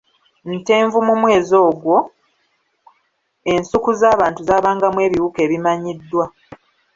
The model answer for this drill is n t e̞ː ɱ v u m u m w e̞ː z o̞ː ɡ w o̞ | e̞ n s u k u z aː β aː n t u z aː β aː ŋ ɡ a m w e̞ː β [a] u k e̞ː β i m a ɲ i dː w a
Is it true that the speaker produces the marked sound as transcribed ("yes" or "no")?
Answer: no